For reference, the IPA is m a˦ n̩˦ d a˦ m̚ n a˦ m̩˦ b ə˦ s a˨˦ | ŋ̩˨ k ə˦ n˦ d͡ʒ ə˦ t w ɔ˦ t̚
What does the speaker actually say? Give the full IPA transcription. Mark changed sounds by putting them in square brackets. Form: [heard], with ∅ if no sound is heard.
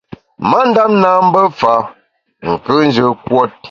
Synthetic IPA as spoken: m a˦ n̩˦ d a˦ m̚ n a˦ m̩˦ b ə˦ [f] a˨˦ | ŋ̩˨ k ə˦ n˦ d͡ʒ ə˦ [k] w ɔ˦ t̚